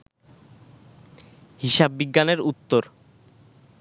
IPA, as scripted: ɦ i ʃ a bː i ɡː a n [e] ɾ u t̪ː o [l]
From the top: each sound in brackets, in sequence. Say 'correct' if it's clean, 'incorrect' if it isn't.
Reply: correct, incorrect

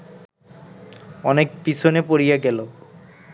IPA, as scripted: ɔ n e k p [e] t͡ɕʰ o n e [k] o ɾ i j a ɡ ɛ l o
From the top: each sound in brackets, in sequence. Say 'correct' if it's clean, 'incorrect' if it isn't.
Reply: incorrect, incorrect

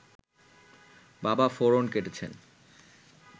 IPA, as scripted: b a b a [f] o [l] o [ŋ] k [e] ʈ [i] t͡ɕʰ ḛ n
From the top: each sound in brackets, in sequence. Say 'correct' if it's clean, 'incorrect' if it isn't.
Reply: correct, incorrect, incorrect, correct, incorrect

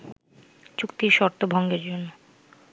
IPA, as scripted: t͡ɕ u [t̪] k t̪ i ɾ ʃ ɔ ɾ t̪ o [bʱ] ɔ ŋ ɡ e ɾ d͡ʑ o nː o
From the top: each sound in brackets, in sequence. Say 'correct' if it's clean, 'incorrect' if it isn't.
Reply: incorrect, correct

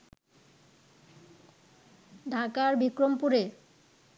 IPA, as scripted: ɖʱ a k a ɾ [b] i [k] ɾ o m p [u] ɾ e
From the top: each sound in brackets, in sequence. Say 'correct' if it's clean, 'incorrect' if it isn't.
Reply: correct, correct, correct

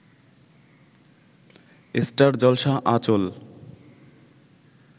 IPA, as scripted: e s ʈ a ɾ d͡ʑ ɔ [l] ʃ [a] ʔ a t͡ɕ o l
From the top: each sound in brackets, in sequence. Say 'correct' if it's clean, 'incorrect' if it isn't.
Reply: correct, correct

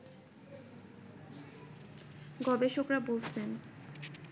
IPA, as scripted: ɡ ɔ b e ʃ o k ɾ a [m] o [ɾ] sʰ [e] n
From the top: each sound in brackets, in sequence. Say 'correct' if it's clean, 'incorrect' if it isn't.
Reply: incorrect, incorrect, correct

